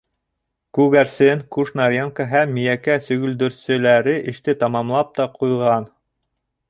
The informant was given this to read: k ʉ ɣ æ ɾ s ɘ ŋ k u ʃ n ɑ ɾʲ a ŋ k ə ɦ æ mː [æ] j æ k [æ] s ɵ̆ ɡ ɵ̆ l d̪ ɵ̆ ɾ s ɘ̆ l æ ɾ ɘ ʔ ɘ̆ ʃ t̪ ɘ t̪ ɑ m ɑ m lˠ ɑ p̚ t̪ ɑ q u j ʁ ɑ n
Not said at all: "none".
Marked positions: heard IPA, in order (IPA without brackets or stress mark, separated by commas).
i, æ